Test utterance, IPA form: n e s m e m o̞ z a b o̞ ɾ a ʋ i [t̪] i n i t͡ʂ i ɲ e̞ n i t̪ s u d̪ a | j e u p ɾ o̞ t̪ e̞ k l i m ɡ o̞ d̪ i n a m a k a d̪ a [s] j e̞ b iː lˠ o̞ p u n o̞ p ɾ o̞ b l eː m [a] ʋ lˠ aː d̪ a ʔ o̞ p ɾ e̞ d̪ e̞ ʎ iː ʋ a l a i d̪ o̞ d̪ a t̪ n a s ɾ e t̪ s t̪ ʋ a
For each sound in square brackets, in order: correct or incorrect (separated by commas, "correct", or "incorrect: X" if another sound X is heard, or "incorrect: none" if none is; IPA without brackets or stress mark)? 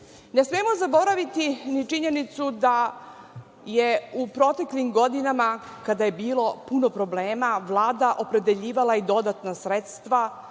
correct, incorrect: none, correct